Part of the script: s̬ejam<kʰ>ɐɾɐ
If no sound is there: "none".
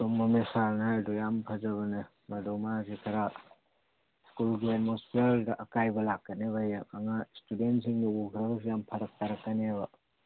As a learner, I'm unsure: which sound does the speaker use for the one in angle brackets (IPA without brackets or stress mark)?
pʰ